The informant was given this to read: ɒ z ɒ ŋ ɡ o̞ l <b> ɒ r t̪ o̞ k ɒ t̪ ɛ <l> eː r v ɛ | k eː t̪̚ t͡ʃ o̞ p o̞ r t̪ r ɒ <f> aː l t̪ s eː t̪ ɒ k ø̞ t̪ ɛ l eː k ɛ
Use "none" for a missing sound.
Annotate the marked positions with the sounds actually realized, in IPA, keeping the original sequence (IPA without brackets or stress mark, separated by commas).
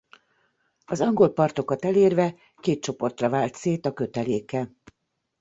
p, l, v